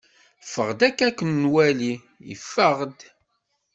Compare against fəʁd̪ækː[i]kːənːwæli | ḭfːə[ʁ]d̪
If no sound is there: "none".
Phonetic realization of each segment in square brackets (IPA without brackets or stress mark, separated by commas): æ, ʁ